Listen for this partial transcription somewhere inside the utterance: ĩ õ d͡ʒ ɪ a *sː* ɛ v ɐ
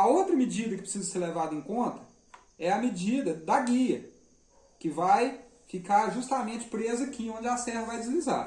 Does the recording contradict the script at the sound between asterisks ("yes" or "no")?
yes